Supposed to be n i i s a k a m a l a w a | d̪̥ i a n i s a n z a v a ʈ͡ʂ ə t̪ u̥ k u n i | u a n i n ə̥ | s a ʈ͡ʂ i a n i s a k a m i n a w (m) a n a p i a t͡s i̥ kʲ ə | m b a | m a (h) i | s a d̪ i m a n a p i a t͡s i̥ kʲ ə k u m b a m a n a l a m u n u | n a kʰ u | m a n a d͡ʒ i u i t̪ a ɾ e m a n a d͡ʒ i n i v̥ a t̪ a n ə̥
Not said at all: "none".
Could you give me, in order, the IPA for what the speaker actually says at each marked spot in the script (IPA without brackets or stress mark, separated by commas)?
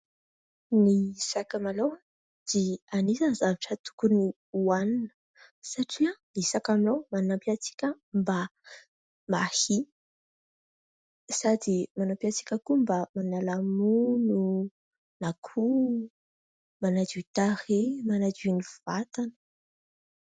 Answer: m, h